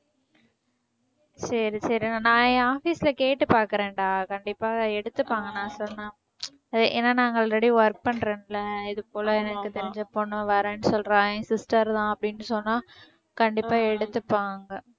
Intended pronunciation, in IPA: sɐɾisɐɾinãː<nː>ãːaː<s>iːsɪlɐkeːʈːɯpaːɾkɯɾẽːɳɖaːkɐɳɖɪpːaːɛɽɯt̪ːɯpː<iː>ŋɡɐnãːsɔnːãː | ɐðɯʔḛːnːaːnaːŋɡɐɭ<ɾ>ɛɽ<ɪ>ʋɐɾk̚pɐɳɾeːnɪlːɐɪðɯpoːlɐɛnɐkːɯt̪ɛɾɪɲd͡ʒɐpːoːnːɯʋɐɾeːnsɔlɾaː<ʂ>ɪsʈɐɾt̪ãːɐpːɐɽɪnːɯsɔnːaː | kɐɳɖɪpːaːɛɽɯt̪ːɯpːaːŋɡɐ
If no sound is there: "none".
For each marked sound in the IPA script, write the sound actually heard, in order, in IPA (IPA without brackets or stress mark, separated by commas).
n, f, aː, ɾ, i, s